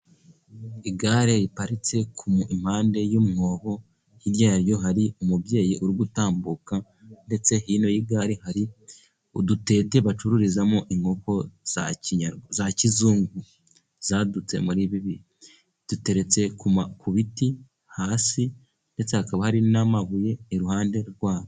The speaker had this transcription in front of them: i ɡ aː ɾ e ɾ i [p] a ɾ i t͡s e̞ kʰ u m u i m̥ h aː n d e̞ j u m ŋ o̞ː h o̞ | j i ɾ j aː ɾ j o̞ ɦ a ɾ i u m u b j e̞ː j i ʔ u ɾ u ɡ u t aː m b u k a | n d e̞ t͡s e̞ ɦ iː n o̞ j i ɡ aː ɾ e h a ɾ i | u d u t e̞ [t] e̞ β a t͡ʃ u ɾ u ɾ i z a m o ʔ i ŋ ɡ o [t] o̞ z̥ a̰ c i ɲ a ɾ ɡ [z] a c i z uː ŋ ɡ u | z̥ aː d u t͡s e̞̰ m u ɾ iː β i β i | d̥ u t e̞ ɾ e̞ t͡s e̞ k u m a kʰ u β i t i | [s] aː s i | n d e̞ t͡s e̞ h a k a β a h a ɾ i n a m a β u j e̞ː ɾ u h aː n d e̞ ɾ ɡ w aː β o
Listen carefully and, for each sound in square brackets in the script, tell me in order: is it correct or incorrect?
correct, correct, incorrect: k, correct, incorrect: h

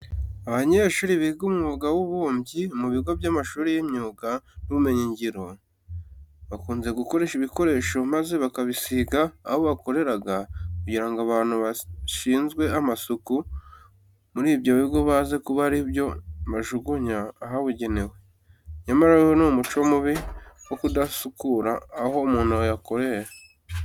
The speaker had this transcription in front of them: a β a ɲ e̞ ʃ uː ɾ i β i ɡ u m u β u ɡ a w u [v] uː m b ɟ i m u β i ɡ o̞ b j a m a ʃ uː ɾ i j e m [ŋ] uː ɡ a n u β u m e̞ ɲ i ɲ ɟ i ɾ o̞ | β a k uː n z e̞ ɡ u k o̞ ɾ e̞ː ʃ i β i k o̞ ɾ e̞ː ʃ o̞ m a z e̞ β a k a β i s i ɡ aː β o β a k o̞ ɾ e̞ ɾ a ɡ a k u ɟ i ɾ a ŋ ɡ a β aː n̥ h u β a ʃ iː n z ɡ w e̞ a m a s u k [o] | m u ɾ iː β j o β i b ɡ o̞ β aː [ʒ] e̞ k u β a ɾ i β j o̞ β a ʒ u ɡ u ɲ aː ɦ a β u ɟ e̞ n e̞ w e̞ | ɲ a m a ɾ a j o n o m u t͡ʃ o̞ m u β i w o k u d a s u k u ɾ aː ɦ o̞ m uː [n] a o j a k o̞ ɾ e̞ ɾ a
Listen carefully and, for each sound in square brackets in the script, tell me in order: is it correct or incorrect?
incorrect: β, incorrect: ɲ, incorrect: u, incorrect: z, correct

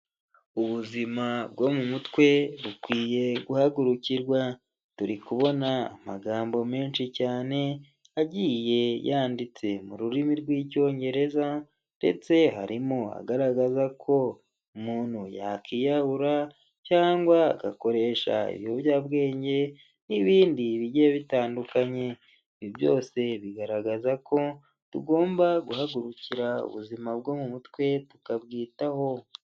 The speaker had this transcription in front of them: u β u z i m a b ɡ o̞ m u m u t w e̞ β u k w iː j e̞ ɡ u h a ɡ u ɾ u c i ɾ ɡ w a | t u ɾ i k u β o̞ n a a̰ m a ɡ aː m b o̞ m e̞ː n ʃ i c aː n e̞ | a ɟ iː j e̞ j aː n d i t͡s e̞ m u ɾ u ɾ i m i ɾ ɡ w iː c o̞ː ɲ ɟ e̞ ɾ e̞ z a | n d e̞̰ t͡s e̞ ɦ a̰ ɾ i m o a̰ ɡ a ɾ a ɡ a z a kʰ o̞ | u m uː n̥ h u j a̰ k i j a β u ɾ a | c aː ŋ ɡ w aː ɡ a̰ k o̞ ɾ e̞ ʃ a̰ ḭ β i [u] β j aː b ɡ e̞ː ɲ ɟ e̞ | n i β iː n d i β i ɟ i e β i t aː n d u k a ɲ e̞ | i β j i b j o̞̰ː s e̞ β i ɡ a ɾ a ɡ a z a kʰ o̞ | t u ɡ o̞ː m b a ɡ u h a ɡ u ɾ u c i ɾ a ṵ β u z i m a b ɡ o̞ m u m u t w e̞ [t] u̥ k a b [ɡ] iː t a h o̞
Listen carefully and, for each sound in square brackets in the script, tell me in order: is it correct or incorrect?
incorrect: o, correct, correct

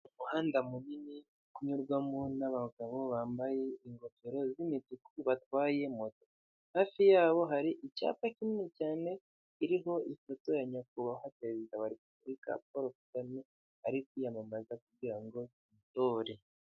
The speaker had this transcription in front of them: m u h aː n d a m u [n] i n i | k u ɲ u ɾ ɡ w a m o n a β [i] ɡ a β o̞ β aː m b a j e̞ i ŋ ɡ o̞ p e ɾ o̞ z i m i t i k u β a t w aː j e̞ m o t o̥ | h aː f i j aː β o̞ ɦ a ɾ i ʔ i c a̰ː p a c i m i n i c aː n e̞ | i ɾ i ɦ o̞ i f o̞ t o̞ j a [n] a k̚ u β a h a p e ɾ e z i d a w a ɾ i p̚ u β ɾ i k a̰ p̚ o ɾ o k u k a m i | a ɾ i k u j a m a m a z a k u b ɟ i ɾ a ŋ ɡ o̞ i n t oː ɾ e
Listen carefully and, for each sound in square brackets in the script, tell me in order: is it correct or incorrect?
correct, incorrect: a, incorrect: ɲ

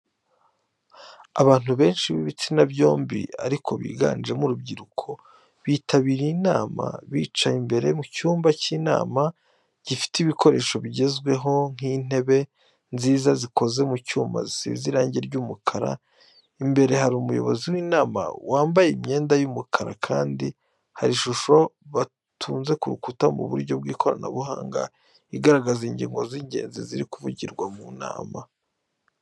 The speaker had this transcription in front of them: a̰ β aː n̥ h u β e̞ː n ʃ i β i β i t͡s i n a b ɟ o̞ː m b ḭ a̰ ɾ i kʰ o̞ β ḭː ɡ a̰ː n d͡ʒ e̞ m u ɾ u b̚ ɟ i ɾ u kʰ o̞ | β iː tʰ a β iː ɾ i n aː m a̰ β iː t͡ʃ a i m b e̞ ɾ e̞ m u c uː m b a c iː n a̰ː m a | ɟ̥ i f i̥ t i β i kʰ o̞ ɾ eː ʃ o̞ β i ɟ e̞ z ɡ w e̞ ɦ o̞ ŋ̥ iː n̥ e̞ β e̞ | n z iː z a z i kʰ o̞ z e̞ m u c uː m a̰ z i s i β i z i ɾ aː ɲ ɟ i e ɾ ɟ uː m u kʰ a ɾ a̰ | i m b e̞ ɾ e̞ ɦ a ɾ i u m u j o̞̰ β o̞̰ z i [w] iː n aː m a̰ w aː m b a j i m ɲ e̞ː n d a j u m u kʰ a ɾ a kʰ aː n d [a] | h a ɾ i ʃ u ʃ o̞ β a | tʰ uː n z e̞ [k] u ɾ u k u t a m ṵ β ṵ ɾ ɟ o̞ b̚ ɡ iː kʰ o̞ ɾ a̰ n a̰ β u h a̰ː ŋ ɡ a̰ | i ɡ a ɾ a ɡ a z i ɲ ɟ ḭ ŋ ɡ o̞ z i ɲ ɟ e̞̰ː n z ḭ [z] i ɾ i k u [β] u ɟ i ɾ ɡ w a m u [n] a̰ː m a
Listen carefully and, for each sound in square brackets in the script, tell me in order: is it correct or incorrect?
correct, incorrect: i, correct, correct, incorrect: v, correct

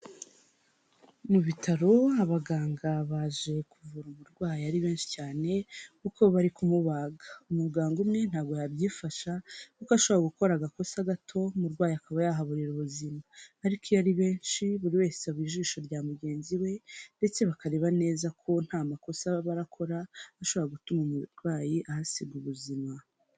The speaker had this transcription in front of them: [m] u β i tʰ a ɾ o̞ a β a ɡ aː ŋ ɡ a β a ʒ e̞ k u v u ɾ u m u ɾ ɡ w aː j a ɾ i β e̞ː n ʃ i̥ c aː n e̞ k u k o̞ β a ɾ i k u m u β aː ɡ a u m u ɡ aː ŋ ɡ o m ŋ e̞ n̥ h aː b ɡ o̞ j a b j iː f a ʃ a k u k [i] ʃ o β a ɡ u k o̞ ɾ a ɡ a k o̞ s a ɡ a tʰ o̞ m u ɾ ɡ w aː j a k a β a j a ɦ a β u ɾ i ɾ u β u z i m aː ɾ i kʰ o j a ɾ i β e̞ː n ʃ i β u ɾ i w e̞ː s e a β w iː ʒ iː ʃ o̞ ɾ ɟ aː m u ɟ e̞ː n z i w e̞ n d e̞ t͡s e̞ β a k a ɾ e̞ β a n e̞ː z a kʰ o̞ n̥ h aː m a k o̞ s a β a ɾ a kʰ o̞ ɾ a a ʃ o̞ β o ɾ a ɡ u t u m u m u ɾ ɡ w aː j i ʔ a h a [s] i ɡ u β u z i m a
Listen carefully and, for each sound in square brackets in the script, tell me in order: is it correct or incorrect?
correct, incorrect: a, correct

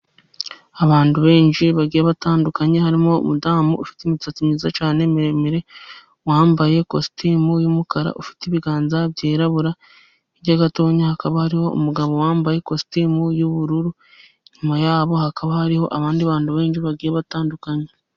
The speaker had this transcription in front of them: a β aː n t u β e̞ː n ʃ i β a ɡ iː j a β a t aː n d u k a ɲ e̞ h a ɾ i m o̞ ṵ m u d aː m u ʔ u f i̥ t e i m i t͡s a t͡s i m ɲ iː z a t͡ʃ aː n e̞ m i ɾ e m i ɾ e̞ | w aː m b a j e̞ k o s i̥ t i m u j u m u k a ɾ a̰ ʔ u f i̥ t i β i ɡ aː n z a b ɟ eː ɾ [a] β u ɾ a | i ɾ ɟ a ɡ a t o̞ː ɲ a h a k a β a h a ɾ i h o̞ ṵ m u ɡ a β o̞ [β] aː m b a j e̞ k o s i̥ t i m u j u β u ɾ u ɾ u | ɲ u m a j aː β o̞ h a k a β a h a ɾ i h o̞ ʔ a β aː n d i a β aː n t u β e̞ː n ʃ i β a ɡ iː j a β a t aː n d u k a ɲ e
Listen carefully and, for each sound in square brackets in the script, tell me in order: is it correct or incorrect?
correct, incorrect: w

